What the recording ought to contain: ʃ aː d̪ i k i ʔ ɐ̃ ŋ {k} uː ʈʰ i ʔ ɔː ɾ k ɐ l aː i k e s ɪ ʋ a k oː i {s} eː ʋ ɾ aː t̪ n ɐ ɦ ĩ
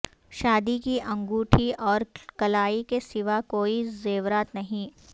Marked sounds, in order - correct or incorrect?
incorrect, incorrect

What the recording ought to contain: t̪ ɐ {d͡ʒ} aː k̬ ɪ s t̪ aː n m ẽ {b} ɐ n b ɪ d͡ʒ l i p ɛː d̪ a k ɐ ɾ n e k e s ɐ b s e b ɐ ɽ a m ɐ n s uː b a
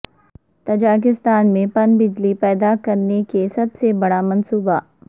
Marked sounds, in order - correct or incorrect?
correct, incorrect

